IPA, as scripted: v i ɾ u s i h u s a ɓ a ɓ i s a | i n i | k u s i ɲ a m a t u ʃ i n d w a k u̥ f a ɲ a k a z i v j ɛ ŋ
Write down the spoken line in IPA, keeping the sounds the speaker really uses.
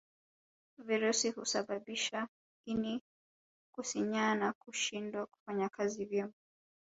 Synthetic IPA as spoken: v i ɾ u s i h u s a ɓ a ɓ i ʃ a | i n i | k u s i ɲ a n a k u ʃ i n d w a k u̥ f a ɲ a k a z i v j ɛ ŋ

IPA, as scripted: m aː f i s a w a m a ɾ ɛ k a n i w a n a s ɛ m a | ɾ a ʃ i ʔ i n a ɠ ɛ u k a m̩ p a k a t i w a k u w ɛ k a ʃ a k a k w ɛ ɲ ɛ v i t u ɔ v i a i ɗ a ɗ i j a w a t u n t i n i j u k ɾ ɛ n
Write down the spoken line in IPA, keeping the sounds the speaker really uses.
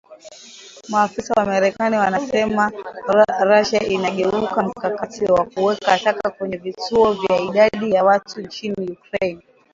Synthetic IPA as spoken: m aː f i s a w a m a ɾ ɛ k a n i w a n a s ɛ m a | ɾ a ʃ a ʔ i n a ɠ ɛ u k a m̩ k a k a t i w a k u w ɛ k a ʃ a k a k w ɛ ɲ ɛ v i t u ɔ v j a i ɗ a ɗ i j a w a t u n t͡ʃ i n i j u k ɾ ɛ n

